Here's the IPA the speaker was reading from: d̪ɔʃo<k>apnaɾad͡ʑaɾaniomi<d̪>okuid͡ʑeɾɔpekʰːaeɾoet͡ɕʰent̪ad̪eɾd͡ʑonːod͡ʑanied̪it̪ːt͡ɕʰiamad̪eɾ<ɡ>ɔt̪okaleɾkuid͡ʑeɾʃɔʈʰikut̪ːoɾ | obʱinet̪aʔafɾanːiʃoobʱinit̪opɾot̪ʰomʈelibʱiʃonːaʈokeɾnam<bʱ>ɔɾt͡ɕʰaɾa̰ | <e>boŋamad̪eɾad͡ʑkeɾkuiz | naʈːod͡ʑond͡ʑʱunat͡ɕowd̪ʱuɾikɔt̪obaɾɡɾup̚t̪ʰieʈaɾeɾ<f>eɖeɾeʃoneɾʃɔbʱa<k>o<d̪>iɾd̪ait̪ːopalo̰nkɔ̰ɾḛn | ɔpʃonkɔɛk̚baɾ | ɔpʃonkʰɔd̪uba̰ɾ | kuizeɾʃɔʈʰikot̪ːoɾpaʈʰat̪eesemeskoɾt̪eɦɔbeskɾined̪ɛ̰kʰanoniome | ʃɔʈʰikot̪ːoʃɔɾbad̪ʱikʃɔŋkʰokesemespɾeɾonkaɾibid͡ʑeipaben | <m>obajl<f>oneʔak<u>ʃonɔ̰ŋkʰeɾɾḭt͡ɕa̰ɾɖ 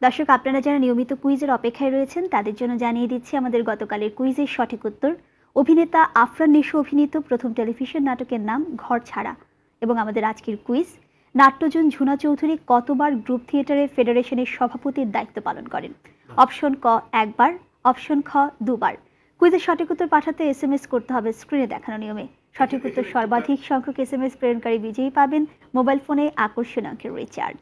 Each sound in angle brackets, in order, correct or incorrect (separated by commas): correct, incorrect, correct, incorrect, correct, correct, incorrect, incorrect, correct, correct, incorrect